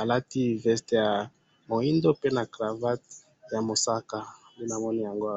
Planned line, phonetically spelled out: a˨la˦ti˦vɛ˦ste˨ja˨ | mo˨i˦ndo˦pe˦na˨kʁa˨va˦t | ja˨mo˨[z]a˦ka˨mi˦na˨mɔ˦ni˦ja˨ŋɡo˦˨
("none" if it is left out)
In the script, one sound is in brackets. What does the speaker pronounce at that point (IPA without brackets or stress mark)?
s